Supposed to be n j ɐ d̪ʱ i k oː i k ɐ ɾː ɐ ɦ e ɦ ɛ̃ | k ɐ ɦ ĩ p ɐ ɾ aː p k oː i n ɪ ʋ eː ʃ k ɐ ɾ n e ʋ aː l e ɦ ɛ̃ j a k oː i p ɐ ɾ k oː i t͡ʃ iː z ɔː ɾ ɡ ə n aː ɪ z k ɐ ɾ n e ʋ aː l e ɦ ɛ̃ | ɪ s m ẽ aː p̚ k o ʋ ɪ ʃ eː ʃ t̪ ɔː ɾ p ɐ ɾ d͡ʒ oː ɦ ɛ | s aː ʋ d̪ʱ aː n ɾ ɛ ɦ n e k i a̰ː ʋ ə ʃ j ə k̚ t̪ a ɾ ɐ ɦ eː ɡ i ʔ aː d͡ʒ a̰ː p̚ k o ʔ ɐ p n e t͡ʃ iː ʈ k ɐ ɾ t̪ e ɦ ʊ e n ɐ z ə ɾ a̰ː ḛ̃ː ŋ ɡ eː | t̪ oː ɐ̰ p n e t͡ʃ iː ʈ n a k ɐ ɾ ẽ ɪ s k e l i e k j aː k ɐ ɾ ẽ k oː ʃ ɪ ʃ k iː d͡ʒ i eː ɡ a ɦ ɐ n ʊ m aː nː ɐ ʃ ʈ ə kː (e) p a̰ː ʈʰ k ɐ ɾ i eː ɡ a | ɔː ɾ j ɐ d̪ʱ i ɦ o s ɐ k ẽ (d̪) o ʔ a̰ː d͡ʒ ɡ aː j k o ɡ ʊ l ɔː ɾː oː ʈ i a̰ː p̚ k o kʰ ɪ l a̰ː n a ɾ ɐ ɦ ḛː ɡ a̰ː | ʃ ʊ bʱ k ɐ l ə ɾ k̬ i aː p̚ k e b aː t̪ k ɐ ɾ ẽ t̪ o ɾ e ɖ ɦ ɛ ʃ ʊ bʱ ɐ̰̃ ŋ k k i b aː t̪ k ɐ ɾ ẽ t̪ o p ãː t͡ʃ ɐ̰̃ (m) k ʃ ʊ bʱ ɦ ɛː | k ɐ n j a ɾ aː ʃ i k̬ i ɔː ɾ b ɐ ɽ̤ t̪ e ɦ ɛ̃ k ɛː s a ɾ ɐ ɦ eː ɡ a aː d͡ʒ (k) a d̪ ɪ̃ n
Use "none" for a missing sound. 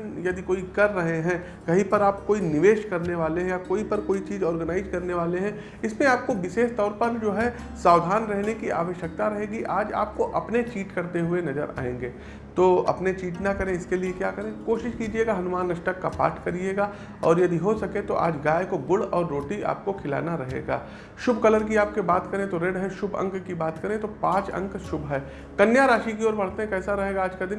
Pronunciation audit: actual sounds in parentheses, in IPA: a, t̪, ŋ, k

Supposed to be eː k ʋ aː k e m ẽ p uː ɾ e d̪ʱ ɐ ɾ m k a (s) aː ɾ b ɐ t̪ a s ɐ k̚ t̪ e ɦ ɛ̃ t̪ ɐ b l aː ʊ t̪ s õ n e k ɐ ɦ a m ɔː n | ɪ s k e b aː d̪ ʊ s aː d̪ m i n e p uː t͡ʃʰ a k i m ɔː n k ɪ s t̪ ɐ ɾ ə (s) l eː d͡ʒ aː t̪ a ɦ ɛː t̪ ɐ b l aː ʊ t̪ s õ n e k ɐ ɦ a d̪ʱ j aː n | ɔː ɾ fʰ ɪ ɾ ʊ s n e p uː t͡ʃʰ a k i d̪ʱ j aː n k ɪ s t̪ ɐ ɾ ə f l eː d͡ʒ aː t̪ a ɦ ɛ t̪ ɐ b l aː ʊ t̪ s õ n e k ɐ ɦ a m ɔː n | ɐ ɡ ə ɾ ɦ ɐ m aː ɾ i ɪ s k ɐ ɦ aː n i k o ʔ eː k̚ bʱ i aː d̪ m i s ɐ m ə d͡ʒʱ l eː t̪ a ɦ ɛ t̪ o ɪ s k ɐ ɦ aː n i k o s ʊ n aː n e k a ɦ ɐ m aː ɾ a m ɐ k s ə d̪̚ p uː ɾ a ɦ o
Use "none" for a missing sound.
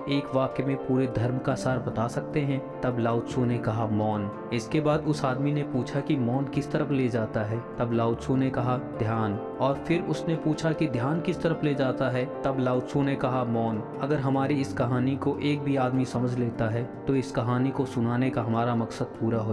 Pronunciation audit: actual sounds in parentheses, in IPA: s, f

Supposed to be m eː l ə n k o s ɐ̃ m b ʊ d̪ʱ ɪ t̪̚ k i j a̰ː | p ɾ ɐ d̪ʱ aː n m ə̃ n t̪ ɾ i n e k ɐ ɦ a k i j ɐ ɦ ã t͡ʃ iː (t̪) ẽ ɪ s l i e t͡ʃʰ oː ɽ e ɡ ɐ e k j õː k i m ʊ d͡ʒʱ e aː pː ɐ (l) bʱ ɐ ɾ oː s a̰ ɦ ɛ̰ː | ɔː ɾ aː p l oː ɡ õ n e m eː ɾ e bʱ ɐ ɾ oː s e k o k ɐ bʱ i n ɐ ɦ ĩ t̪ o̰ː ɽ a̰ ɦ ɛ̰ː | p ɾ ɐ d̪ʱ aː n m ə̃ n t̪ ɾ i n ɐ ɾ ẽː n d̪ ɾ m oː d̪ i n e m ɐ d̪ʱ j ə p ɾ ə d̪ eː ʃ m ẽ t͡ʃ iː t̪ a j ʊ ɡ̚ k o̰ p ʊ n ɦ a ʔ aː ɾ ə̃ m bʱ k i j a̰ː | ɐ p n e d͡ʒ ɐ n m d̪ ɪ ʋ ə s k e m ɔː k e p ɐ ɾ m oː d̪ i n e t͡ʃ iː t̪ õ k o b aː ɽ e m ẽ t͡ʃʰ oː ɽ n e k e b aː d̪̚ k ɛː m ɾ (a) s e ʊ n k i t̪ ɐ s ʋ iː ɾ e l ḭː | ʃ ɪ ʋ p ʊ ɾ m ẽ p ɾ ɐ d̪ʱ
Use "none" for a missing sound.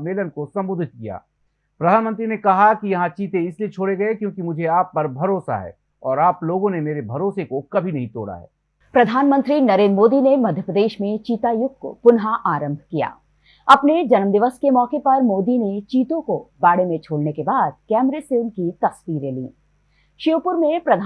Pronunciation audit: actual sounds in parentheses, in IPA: t̪, ɾ, e

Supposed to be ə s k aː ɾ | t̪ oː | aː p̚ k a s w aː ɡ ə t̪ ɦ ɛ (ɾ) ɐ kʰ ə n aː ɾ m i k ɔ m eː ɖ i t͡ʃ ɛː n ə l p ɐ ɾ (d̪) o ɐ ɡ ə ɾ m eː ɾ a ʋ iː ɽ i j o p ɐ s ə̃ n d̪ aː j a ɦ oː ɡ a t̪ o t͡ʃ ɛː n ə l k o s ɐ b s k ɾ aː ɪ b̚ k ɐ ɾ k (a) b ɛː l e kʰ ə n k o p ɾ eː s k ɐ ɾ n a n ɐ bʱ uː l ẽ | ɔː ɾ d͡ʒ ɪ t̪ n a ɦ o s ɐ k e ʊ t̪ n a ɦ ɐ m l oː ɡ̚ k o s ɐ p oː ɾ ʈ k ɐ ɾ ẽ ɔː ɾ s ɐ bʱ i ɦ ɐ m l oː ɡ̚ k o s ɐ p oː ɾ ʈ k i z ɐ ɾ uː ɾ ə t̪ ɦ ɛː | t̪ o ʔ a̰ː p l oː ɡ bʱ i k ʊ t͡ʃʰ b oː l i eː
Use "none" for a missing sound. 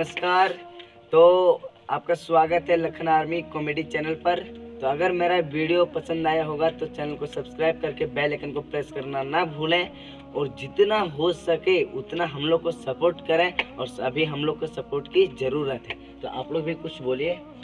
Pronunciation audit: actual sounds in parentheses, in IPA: l, t̪, e

